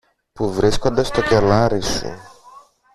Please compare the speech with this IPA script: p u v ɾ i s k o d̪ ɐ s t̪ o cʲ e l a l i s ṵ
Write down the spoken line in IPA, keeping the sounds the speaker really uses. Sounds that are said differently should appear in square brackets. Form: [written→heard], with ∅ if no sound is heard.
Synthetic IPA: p u v ɾ i s k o d̪ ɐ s t̪ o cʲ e l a [l→ɾ] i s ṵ